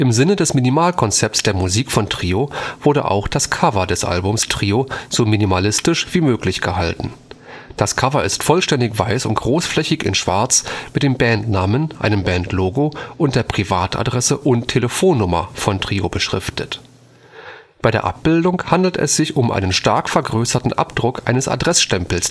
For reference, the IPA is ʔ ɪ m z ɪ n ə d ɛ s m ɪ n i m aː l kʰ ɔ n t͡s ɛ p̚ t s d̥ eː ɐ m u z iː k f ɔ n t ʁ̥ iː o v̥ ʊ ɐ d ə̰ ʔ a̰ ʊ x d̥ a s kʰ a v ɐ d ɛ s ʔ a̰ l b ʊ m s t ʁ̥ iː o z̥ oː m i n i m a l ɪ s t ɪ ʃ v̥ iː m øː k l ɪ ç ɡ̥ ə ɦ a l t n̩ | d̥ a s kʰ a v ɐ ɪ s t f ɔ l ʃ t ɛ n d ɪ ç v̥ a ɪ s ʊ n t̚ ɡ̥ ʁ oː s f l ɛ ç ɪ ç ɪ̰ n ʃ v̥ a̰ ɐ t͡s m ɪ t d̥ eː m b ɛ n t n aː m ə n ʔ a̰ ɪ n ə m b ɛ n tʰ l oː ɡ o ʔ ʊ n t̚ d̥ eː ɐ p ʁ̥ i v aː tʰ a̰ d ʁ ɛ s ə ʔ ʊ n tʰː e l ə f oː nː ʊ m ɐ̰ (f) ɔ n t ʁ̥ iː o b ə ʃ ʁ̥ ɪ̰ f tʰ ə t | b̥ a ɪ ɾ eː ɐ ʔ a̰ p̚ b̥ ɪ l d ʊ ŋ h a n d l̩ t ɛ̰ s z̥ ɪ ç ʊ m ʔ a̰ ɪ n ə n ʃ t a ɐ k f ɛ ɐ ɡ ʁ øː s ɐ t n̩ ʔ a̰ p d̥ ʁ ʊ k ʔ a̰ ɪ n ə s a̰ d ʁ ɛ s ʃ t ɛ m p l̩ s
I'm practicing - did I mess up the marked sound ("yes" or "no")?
no